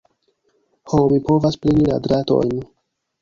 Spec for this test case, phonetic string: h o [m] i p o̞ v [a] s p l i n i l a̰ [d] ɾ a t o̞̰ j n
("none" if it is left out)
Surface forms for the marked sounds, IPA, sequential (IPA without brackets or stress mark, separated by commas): m, a, d